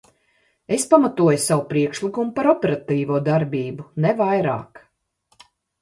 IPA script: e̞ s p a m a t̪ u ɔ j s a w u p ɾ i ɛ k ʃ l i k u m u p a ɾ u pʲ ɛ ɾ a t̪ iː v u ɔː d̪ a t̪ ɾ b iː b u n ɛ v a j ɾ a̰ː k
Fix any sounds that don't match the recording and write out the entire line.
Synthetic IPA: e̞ s p a m a t̪ u ɔ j s a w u p ɾ i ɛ k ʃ l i k u m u p a ɾ ɔ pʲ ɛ ɾ a t̪ iː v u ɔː d̪ a ɾ b iː b u n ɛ v a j ɾ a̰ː k